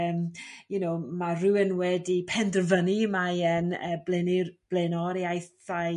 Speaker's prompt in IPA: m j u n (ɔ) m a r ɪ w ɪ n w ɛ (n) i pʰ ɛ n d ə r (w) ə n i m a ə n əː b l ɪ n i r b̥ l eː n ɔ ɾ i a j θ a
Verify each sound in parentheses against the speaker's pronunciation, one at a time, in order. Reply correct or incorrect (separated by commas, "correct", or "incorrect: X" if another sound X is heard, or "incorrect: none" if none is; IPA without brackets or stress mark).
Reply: incorrect: o, incorrect: d, incorrect: v